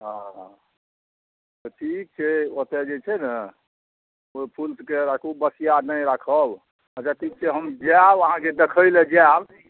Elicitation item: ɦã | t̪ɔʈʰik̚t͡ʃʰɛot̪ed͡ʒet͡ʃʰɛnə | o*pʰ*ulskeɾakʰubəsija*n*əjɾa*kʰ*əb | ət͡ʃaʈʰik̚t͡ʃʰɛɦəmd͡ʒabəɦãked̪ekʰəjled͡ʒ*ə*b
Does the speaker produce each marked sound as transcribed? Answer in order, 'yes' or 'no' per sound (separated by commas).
yes, yes, yes, no